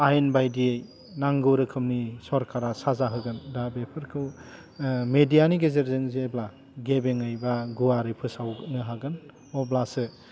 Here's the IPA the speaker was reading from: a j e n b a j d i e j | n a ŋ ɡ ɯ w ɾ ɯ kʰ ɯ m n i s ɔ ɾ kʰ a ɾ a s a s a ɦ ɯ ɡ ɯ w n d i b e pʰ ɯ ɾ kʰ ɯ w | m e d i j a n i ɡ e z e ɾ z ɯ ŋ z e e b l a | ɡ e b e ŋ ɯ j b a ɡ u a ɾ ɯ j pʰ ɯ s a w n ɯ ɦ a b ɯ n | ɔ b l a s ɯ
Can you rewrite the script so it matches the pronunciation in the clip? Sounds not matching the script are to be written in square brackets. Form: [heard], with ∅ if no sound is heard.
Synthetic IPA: a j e n b a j d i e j | n a ŋ ɡ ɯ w ɾ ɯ kʰ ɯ m n i s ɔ ɾ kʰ a ɾ a s a [z] a ɦ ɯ ɡ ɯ [∅] n d [a] b e pʰ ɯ ɾ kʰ ɯ w | m e d i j a n i ɡ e z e ɾ z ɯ ŋ z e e b l a | ɡ e b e ŋ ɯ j b a ɡ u a ɾ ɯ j pʰ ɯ s a w n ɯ ɦ a [ɡ] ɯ n | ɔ b l a s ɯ

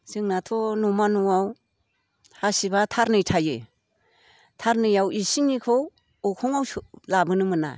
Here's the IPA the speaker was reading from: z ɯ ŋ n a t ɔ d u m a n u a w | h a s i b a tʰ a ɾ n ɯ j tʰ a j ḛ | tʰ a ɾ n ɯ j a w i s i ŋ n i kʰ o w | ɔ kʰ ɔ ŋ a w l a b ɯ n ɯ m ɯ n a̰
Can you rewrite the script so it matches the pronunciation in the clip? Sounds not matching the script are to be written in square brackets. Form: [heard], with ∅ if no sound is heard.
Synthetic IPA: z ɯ ŋ n a [tʰ] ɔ [n] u m a n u a w | h a s i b a tʰ a ɾ n ɯ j tʰ a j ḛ | tʰ a ɾ n ɯ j a w i s i ŋ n i kʰ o w | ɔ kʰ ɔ ŋ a w l a b ɯ n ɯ m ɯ n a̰

